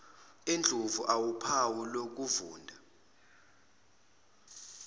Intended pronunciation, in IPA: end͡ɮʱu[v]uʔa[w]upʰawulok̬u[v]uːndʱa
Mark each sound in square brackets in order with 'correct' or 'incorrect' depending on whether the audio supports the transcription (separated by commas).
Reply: correct, correct, correct